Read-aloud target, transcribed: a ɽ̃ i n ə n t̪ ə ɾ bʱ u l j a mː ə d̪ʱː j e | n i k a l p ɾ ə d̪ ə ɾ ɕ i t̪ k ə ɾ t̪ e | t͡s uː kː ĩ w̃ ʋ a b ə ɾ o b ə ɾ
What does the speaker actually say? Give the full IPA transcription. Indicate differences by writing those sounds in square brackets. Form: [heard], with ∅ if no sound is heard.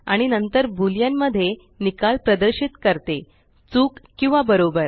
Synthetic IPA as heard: a ɽ̃ i n ə n t̪ ə ɾ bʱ u l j a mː ə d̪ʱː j e | n i k a l p ɾ ə d̪ ə ɾ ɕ i t̪ k ə ɾ t̪ e | t͡s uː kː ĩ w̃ ʋ a b ə ɾ o b ə ɾ